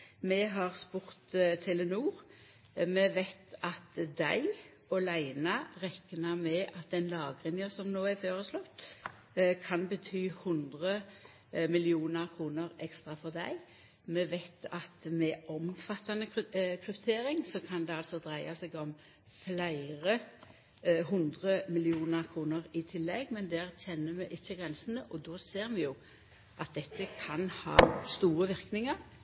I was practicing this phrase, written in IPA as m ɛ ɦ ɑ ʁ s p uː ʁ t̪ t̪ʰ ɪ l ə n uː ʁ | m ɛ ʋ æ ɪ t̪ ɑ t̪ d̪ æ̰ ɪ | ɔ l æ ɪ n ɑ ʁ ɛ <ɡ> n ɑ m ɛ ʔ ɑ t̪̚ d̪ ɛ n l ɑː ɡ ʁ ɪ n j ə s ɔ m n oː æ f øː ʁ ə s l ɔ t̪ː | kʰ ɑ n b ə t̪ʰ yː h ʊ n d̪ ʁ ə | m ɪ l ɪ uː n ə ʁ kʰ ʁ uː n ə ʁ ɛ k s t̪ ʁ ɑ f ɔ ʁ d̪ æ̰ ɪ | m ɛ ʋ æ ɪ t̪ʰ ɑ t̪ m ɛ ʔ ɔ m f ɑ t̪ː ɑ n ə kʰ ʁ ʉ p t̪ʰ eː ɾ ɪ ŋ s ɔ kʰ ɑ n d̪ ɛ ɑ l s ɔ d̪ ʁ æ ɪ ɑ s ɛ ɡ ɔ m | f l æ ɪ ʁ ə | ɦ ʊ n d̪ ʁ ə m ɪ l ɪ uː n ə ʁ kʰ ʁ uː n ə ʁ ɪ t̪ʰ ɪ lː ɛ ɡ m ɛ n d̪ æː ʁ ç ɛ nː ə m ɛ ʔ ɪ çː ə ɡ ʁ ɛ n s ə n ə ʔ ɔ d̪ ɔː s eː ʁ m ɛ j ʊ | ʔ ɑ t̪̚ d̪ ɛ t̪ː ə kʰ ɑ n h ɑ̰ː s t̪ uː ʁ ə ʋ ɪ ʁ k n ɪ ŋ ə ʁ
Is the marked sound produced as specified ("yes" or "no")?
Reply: no